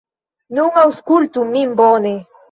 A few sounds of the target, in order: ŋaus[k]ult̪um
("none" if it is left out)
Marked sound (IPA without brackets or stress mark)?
k